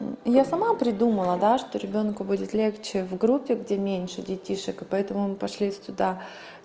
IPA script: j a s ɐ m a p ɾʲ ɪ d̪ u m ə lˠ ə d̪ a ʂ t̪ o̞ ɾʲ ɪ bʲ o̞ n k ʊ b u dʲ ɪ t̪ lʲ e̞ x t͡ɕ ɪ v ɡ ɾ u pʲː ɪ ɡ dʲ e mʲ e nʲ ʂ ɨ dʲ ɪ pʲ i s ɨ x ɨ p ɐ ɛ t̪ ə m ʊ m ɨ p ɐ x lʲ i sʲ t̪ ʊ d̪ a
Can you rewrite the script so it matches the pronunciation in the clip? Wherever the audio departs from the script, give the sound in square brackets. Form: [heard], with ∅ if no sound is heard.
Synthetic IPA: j a s ɐ m a p ɾʲ ɪ d̪ u m ə lˠ ə d̪ a ʂ t̪ o̞ ɾʲ ɪ bʲ o̞ n k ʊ b u dʲ ɪ t̪ lʲ e̞ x t͡ɕ ɪ v ɡ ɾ u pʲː ɪ ɡ dʲ e mʲ e nʲ ʂ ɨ dʲ ɪ [tʲ] i [ʂ] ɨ [k] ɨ p ɐ ɛ t̪ ə m ʊ m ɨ p ɐ [ʂ] lʲ i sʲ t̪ ʊ d̪ a